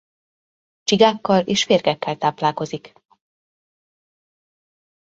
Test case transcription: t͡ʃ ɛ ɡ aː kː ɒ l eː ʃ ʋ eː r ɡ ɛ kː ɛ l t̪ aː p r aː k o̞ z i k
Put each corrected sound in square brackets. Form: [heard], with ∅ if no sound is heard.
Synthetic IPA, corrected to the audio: t͡ʃ [i] ɡ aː kː ɒ l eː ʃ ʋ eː r ɡ ɛ kː ɛ l t̪ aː p [l] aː k o̞ z i k